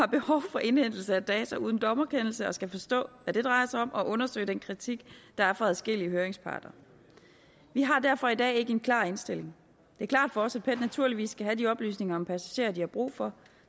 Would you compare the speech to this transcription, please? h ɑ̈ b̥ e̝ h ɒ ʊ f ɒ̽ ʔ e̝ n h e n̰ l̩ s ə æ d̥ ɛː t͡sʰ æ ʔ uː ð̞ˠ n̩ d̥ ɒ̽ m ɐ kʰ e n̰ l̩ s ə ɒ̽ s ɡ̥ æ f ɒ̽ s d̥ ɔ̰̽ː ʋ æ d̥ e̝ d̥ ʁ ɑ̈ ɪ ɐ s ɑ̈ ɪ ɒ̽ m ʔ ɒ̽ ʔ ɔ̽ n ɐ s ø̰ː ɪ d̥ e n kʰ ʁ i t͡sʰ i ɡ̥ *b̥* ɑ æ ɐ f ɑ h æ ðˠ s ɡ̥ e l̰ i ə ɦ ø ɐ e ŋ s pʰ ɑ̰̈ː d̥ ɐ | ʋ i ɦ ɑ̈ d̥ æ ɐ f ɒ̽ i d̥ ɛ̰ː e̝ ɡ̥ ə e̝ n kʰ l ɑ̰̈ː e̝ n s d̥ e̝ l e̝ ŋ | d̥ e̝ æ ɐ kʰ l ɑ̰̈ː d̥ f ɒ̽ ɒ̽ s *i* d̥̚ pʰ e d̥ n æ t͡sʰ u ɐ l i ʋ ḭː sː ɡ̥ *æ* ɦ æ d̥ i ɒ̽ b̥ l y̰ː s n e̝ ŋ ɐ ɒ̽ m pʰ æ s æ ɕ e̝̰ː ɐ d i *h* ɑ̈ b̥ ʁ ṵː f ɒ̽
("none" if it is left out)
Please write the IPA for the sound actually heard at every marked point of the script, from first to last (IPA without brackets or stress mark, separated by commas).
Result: d̥, æ, æ, h